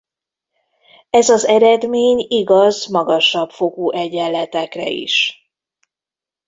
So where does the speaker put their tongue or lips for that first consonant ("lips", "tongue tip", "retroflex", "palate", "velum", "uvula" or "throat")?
tongue tip